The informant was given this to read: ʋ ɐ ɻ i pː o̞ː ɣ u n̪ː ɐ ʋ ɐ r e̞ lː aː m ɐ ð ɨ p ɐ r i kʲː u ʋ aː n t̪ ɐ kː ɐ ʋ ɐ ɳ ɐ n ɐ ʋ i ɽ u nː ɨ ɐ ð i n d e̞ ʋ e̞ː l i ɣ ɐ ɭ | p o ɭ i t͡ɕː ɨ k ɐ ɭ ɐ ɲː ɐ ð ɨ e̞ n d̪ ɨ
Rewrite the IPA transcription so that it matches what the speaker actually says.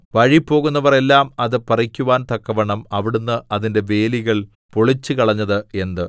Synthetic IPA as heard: ʋ ɐ ɻ i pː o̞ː ɣ u n̪ː ɐ ʋ ɐ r e̞ lː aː m ɐ ð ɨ p ɐ r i kʲː u ʋ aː n t̪ ɐ kː ɐ ʋ ɐ ɳ ɐ m ɐ ʋ i ɽ u nː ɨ ɐ ð i n d e̞ ʋ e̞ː l i ɣ ɐ ɭ | p o ɭ i t͡ɕː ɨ k ɐ ɭ ɐ ɲː ɐ ð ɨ e̞ n d̪ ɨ

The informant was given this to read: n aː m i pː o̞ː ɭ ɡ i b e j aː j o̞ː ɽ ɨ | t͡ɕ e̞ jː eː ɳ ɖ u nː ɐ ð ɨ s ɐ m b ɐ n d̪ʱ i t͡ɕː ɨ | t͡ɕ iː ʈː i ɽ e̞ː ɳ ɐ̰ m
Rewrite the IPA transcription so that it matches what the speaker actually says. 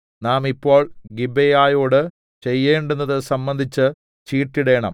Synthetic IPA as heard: n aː m i pː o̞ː ɭ ɡ i b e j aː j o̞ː ɽ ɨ | t͡ɕ e̞ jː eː ɳ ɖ u nː ɐ ð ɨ s ɐ m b ɐ n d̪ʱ i t͡ɕː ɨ | t͡ɕ iː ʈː i ɽ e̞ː ɳ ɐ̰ m

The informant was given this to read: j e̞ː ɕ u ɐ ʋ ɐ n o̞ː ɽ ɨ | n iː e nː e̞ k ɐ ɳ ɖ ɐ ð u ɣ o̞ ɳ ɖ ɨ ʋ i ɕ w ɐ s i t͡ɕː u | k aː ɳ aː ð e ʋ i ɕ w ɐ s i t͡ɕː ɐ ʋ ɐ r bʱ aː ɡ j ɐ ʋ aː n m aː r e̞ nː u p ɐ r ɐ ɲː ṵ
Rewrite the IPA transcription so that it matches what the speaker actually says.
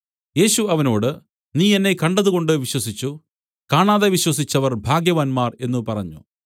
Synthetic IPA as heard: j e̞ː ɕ u ɐ ʋ ɐ n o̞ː ɽ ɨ | n iː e nː e̞ k ɐ ɳ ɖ ɐ ð u ɣ o̞ ɳ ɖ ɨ ʋ i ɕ w ɐ s i t͡ɕː u | k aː ɳ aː ð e ʋ i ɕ w ɐ s i t͡ɕː ɐ ʋ ɐ r bʱ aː ɡ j ɐ ʋ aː n m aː r e̞ nː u p ɐ r ɐ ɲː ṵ

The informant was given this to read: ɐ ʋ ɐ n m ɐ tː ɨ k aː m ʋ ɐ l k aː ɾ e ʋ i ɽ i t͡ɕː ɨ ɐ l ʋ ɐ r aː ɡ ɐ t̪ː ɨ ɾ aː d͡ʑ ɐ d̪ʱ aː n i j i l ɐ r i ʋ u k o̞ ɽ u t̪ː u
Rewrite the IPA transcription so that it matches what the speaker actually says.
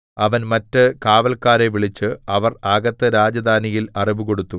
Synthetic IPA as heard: ɐ ʋ ɐ n m ɐ tː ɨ k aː ʋ ɐ l k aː ɾ e ʋ i ɭ i t͡ɕː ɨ ɐ ʋ ɐ r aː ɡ ɐ t̪ː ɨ ɾ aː d͡ʑ ɐ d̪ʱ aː n i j i l ɐ r i ʋ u k o̞ ɽ u t̪ː u

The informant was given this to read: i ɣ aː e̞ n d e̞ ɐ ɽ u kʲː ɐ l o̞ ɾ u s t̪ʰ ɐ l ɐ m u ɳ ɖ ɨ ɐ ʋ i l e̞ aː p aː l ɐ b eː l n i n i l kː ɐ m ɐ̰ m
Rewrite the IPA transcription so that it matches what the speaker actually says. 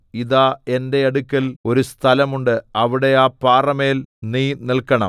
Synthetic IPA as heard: i ð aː e̞ n d e̞ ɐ ɽ u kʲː ɐ l o̞ ɾ u s t̪ʰ ɐ l ɐ m u ɳ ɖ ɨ ɐ ʋ i ɽ e̞ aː p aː r ɐ m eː l n iː n i l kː ɐ ɳ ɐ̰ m

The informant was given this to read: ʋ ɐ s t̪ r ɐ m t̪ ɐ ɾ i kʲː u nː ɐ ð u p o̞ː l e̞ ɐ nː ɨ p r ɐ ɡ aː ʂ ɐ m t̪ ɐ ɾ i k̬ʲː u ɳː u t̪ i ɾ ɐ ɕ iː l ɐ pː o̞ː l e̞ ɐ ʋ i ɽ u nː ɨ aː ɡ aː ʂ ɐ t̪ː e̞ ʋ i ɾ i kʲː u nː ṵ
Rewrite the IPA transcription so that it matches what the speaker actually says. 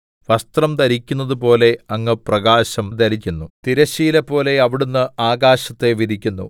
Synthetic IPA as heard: ʋ ɐ s t̪ r ɐ m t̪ ɐ ɾ i kʲː u nː ɐ ð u p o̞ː l e̞ ɐ ŋː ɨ p r ɐ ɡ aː ɕ ɐ m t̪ ɐ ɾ i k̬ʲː u nː u t̪ i ɾ ɐ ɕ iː l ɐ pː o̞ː l e̞ ɐ ʋ i ɽ u nː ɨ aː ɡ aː ɕ ɐ t̪ː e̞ ʋ i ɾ i kʲː u nː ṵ

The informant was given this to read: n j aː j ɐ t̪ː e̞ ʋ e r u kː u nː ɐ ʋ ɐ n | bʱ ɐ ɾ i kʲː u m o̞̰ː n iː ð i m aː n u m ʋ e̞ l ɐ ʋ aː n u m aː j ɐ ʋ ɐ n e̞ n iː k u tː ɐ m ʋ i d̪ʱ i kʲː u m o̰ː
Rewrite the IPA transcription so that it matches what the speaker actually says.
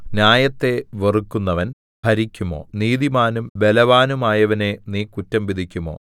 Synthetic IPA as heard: n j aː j ɐ t̪ː e̞ ʋ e r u kː u nː ɐ ʋ ɐ n | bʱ ɐ ɾ i kʲː u m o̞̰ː n iː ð i m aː n u m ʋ e̞ l ɐ ʋ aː n u m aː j ɐ ʋ ɐ n e̞ n iː k u tː ɐ m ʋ i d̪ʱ i kʲː u m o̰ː

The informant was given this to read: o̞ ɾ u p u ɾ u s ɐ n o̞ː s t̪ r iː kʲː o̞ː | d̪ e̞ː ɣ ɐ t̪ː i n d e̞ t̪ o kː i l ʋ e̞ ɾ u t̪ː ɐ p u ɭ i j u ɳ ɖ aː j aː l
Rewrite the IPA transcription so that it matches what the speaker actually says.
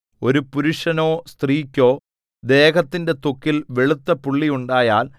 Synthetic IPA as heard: o̞ ɾ u p u ɾ u ʂ ɐ n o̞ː s t̪ r iː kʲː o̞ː | d̪ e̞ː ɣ ɐ t̪ː i n d e̞ t̪ o kː i l ʋ e̞ ɭ u t̪ː ɐ p u ɭː i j u ɳ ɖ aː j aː l

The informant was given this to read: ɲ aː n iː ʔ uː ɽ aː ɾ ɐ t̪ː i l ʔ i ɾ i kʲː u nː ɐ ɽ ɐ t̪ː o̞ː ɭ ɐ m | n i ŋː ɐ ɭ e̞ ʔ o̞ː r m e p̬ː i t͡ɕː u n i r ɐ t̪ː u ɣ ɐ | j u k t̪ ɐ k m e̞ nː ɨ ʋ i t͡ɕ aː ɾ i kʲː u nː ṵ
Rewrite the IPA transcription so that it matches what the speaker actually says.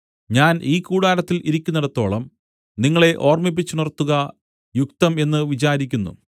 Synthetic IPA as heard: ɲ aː n iː k uː ɽ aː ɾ ɐ t̪ː i l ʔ i ɾ i kʲː u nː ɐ ɽ ɐ t̪ː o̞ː ɭ ɐ m | n i ŋː ɐ ɭ e̞ ʔ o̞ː r m i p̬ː i t͡ɕː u n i r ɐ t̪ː u ɣ ɐ | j u k t̪ ɐ m e̞ nː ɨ ʋ i t͡ɕ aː ɾ i kʲː u nː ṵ

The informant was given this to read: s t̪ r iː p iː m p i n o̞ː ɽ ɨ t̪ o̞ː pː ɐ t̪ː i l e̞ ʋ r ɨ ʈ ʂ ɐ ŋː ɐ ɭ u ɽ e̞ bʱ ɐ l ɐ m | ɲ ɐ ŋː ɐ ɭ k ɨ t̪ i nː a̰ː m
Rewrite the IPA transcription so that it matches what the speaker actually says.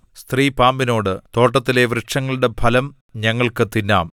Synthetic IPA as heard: s t̪ r iː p aː m b i n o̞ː ɽ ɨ t̪ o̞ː ʈː ɐ t̪ː i l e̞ ʋ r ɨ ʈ ʂ ɐ ŋː ɐ ɭ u ɽ e̞ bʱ ɐ l ɐ m | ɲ ɐ ŋː ɐ ɭ k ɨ t̪ i nː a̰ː m

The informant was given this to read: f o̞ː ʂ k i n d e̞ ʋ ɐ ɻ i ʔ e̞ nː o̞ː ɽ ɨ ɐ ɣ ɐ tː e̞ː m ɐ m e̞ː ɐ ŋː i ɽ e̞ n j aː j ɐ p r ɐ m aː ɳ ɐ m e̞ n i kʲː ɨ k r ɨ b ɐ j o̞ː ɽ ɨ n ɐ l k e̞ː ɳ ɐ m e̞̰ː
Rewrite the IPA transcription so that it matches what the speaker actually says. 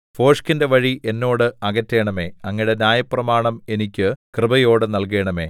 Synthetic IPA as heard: f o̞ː ʂ k i n d e̞ ʋ ɐ ɻ i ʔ e̞ nː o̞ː ɽ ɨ ɐ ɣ ɐ tː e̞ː ɳ ɐ m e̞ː ɐ ŋː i ɽ e̞ n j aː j ɐ p r ɐ m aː ɳ ɐ m e̞ n i kʲː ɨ k r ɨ b ɐ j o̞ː ɽ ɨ n ɐ l k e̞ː ɳ ɐ m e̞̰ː

